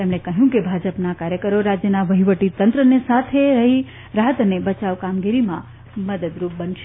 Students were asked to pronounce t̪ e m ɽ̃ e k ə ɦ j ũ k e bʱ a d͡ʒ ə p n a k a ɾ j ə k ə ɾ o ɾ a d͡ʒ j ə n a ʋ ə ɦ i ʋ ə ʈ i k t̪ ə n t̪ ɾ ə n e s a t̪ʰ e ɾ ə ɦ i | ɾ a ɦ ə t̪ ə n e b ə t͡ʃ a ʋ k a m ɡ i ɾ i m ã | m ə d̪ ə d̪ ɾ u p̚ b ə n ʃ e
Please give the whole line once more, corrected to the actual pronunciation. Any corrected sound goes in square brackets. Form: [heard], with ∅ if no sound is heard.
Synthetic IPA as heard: t̪ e m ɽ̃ e k ə ɦ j ũ k e bʱ a d͡ʒ ə p n a k a ɾ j ə k ə ɾ o ɾ a d͡ʒ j ə n a ʋ ə ɦ i ʋ ə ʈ i [∅] t̪ ə n t̪ ɾ ə n e s a t̪ʰ e ɾ ə ɦ i | ɾ a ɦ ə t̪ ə n e b ə t͡ʃ a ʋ k a m ɡ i ɾ i m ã | m ə d̪ ə d̪ ɾ u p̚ b ə n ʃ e